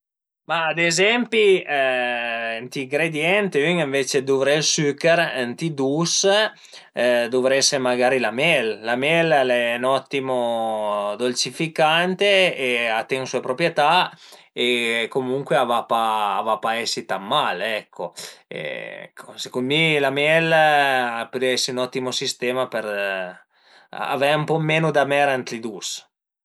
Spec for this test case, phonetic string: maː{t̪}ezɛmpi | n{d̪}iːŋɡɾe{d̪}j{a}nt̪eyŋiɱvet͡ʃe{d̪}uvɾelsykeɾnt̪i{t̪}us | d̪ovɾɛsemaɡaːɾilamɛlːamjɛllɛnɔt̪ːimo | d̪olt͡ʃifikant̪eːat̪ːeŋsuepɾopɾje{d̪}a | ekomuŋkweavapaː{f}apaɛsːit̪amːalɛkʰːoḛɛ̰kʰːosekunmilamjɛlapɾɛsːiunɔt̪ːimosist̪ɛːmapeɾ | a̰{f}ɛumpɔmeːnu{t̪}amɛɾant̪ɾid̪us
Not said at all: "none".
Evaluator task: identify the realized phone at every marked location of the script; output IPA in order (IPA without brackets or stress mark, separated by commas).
d̪, t̪, d̪, ɛ, d̪, d̪, t̪, v, v, d̪